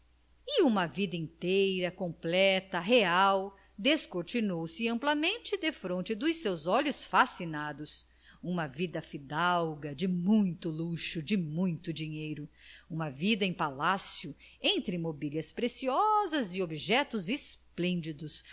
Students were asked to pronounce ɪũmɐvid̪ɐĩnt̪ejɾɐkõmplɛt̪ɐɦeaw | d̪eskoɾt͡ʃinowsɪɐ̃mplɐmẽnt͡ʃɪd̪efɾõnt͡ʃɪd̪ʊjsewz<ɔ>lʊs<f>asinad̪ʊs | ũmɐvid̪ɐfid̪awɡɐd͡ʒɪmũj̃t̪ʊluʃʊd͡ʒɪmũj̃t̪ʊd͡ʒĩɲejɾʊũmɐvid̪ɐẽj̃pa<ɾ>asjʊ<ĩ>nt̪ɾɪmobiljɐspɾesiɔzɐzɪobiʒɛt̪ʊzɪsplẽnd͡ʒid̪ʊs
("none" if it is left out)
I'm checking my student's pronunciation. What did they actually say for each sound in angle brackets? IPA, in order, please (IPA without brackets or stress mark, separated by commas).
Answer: ɔ, f, l, ẽ